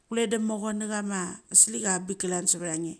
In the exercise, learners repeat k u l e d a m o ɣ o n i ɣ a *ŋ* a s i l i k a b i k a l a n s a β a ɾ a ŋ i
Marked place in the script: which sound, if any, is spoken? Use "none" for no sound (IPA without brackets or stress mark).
m